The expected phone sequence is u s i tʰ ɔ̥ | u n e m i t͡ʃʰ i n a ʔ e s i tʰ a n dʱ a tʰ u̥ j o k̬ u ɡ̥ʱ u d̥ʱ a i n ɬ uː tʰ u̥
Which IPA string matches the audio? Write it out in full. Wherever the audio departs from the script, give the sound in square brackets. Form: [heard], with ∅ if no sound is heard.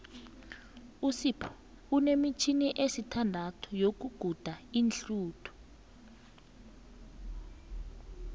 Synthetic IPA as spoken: u s i [pʰ] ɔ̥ | u n e m i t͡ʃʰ i n [i] ʔ e s i tʰ a n dʱ a tʰ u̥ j o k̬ u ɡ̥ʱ u d̥ʱ a i n ɬ uː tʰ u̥